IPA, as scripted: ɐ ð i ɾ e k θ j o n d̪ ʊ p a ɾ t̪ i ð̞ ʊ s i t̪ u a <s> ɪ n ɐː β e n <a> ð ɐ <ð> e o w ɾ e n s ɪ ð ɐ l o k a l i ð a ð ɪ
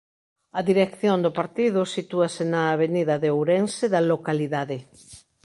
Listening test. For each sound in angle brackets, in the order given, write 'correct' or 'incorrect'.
correct, incorrect: i, correct

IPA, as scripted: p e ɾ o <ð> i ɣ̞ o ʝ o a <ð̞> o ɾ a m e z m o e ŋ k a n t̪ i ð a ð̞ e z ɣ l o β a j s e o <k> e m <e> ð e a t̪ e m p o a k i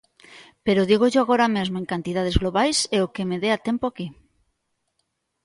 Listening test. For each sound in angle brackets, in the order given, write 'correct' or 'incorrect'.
correct, incorrect: ɣ̞, correct, correct

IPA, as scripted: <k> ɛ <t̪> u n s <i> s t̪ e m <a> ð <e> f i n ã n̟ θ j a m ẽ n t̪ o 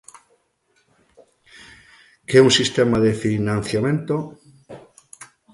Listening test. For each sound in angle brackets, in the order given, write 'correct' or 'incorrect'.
correct, incorrect: none, correct, correct, correct

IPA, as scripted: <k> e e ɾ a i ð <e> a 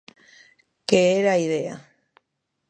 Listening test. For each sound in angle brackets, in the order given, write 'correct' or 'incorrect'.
correct, correct

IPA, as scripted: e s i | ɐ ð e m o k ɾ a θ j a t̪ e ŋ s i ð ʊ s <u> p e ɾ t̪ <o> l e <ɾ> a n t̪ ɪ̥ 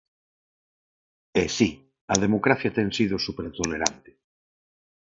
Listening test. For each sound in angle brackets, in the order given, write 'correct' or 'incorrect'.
correct, correct, correct

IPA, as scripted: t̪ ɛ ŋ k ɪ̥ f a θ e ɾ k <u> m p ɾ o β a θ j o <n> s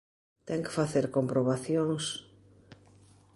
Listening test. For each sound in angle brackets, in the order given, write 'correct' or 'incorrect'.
incorrect: o, incorrect: ŋ

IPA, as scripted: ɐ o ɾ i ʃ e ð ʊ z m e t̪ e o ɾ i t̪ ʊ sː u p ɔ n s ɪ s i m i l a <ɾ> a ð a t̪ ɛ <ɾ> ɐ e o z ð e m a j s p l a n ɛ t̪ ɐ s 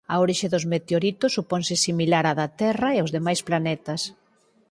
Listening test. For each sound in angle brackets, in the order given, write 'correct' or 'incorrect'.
correct, incorrect: r

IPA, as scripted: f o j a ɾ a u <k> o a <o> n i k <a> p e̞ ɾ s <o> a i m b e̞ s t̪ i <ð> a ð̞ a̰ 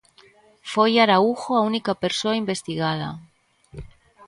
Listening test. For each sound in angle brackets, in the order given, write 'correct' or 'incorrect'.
incorrect: x, incorrect: u, correct, correct, incorrect: ɣ

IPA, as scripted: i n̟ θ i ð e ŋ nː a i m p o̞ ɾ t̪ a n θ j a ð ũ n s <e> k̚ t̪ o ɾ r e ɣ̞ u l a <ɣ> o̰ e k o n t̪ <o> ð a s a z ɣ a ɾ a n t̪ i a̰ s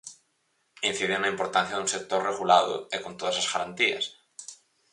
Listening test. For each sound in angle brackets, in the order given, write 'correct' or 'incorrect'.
correct, incorrect: ð, correct

